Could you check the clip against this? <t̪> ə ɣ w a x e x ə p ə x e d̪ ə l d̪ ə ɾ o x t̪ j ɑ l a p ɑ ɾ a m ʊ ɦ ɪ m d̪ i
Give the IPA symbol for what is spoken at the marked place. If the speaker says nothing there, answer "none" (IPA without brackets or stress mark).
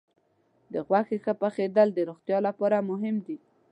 d̪